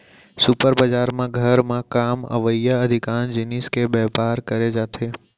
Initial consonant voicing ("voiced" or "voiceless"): voiceless